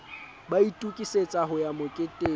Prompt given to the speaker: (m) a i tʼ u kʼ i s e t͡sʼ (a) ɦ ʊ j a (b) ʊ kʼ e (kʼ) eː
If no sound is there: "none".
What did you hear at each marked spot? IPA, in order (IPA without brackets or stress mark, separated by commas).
b, a, m, tʼ